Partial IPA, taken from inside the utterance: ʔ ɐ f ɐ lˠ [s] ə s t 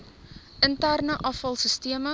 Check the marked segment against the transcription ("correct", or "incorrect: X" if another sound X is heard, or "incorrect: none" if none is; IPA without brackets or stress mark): correct